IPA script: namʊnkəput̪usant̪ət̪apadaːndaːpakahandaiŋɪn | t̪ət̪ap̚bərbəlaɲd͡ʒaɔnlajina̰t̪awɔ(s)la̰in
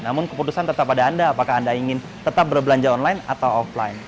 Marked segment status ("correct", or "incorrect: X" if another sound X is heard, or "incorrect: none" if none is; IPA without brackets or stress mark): incorrect: f